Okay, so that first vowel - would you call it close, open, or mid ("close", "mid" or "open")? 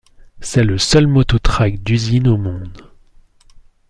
mid